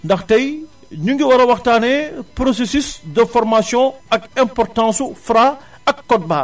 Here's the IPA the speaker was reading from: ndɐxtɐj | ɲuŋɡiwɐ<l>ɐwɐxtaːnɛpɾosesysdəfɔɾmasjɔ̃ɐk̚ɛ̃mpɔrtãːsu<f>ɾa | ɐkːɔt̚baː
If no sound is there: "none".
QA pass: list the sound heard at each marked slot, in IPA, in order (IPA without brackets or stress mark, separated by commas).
ɾ, f